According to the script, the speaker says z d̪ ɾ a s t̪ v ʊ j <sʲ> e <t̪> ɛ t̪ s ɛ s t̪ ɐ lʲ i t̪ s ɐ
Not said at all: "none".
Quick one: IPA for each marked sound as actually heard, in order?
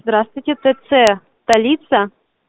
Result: tʲ, t̪

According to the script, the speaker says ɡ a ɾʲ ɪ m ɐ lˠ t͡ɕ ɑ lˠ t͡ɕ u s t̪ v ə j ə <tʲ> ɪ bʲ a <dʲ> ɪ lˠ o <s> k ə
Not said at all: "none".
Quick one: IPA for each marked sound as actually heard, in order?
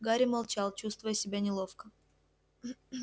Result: sʲ, nʲ, f

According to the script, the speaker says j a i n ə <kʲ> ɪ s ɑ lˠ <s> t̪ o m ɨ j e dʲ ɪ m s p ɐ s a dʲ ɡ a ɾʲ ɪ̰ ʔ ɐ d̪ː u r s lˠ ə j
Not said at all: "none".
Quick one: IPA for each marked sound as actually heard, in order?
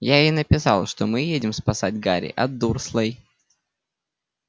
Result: pʲ, ʂ

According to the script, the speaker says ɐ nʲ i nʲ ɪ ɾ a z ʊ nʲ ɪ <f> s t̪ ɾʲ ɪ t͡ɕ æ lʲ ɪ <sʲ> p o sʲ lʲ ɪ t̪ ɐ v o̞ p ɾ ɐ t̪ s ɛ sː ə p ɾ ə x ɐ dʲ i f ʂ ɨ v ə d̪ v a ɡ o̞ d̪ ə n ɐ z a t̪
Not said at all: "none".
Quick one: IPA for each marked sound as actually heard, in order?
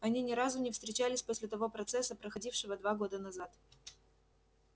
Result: f, sʲ

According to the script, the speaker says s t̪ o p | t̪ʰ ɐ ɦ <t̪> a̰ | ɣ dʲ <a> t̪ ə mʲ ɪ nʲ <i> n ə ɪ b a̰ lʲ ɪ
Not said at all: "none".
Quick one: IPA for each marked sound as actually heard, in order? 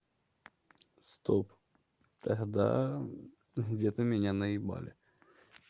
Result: d̪, e, a

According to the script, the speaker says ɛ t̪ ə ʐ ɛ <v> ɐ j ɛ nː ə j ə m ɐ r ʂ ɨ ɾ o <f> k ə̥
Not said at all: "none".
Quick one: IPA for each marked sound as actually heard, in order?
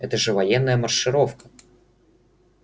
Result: v, f

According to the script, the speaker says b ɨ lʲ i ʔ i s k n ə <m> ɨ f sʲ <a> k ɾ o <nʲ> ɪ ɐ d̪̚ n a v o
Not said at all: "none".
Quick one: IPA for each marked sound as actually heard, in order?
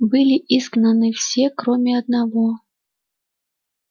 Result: n, e, mʲ

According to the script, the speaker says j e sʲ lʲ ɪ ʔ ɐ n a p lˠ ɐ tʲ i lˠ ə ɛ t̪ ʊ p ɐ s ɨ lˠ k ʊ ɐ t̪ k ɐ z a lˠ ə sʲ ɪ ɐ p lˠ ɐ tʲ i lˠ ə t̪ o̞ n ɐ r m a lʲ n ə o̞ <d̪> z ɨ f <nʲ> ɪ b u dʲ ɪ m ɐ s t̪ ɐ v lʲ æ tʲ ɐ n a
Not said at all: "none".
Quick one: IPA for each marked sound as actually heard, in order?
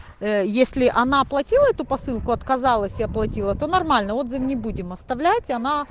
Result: d̪, nʲ

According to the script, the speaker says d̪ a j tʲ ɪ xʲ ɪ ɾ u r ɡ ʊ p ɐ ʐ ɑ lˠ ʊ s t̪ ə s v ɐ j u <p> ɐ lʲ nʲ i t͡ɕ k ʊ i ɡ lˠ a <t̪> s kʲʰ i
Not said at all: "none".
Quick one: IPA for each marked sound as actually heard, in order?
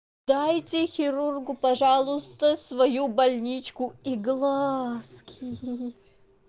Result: b, none

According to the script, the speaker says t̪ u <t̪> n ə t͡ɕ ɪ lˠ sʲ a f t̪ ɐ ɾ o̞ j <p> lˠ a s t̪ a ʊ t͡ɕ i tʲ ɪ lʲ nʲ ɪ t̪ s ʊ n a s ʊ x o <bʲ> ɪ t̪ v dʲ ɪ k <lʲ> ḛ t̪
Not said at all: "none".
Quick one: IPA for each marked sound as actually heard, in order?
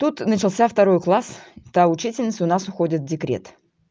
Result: t̪, k, dʲ, ɾʲ

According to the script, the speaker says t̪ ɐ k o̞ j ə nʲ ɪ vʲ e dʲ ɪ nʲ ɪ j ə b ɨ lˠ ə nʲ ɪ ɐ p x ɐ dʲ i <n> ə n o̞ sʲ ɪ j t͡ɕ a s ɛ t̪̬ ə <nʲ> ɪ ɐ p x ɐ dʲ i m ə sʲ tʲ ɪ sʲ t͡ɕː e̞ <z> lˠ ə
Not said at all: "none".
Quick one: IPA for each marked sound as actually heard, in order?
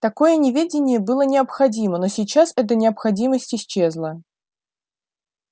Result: m, nʲ, z

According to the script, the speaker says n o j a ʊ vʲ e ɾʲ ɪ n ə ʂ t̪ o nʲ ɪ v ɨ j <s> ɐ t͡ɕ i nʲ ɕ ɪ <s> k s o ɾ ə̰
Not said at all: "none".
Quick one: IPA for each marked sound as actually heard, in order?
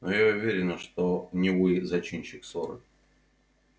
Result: z, none

